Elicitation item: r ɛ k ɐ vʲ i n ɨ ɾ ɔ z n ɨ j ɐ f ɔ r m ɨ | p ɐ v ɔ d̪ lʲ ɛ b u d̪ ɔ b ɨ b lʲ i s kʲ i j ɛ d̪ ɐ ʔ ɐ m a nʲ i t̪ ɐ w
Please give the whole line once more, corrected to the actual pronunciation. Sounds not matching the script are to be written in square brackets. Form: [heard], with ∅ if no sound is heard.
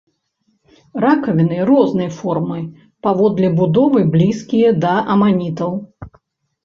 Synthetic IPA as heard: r [a] k ɐ vʲ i n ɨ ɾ ɔ z n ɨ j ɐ f ɔ r m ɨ | p [a] v ɔ d̪ lʲ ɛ b u d̪ ɔ [v] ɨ b lʲ i s kʲ i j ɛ d̪ ɐ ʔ ɐ m a nʲ i t̪ ɐ w